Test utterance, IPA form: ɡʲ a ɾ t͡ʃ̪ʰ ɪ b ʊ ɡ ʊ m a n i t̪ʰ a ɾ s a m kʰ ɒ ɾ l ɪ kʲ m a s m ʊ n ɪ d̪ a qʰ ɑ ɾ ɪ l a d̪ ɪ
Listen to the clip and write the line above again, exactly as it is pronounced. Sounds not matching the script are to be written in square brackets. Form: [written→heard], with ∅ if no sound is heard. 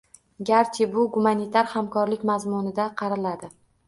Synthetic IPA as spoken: ɡʲ a ɾ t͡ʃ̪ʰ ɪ b ʊ ɡ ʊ m a n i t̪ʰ a ɾ [s→h] a m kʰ ɒ ɾ l ɪ kʲ m a [s→z] m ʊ n ɪ d̪ a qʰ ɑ ɾ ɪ l a d̪ ɪ